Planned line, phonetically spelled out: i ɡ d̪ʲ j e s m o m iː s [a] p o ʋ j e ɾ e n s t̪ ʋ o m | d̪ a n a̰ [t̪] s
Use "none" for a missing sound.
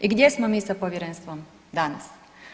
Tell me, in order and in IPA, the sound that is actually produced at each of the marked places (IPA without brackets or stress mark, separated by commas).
a, none